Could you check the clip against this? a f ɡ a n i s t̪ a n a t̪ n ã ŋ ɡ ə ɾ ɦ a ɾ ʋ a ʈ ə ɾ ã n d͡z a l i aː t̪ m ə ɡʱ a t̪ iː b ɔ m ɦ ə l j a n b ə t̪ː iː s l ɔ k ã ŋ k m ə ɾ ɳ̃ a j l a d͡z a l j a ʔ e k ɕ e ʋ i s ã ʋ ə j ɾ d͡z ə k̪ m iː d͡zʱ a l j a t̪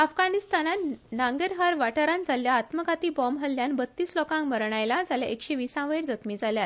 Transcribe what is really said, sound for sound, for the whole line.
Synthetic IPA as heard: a f ɡ a n i s t̪ a n a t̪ n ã ŋ ɡ ə ɾ ɦ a ɾ ʋ a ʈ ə ɾ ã n d͡z a l j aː t̪ m ə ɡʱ a t̪ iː b ɔ m ɦ ə l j a n b ə t̪ː iː s l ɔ k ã ŋ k m ə ɾ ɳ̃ a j l a d͡z a l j a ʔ e k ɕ e ʋ i s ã ʋ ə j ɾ d͡z ə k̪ m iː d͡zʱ a l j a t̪